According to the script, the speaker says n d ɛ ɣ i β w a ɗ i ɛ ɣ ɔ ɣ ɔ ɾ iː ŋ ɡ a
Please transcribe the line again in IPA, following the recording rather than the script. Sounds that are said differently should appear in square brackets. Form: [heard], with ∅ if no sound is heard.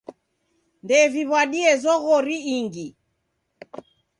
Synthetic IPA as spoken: n d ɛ [v] i β w a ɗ i ɛ [z] ɔ ɣ ɔ ɾ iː ŋ ɡ [i]